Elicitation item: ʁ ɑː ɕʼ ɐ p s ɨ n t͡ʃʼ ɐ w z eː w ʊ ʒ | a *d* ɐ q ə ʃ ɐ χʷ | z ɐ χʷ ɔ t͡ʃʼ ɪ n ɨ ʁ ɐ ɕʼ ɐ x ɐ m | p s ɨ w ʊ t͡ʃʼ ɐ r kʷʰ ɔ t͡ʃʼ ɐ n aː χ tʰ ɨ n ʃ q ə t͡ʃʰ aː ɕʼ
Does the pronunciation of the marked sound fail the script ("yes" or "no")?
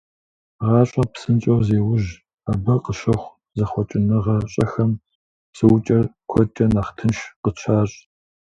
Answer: yes